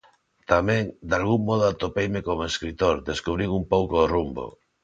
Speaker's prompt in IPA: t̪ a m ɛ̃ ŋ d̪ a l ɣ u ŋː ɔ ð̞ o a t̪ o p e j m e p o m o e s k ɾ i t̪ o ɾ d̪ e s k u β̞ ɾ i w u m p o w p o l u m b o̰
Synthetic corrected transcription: t̪ a m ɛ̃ ŋ d̪ a l ɣ u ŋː ɔ ð̞ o a t̪ o p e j m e k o m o e s k ɾ i t̪ o ɾ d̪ e s k u β̞ ɾ i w u m p o w k o r u m b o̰